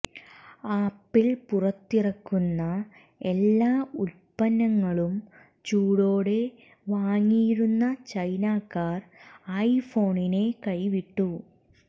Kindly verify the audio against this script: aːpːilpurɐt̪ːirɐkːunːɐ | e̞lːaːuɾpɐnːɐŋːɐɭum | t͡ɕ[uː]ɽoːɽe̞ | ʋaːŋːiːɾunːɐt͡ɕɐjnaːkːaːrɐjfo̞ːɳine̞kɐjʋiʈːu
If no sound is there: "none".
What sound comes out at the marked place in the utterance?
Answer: uː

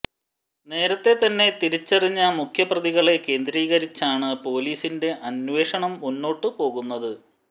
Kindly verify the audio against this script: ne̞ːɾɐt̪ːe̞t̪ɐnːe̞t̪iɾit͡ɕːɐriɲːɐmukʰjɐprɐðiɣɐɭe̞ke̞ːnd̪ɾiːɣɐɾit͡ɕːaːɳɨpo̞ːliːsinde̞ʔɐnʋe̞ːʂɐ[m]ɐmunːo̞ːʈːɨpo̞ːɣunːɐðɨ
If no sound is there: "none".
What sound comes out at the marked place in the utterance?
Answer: ɳ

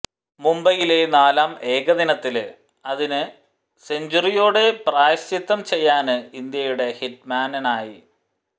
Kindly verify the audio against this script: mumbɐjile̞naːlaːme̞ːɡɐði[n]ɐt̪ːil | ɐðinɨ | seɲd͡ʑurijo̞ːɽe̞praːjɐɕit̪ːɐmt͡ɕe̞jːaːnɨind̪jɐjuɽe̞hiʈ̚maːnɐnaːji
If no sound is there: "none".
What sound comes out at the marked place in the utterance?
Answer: n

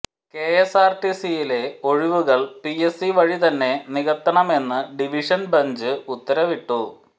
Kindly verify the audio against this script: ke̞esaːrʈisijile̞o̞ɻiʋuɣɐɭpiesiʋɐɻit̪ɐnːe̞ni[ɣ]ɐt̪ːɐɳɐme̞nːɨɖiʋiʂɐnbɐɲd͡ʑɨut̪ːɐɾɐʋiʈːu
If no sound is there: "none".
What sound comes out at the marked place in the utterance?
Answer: ɣ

